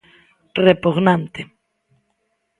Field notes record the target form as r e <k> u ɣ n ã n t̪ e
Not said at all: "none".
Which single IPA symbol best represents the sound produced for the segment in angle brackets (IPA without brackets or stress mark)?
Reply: p